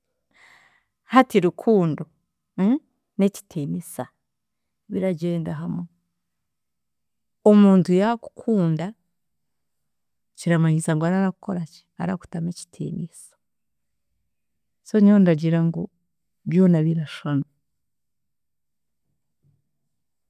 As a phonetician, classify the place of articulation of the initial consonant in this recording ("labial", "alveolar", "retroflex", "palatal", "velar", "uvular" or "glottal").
glottal